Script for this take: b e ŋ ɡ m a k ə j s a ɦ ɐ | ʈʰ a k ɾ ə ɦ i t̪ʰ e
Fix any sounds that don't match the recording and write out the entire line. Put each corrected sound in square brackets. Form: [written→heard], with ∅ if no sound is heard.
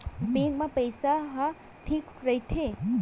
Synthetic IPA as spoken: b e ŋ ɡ m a [k→p] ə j s a ɦ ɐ | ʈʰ [a→i] k ɾ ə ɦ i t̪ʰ e